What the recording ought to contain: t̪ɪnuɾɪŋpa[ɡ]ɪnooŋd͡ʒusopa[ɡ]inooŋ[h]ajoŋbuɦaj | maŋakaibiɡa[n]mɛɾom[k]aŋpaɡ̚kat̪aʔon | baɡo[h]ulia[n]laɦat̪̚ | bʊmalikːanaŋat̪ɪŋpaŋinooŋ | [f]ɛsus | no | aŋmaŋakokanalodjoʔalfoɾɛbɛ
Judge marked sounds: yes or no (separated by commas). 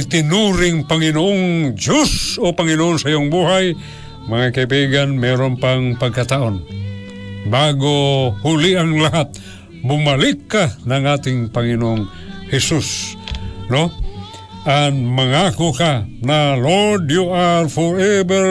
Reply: no, no, no, yes, no, yes, no, no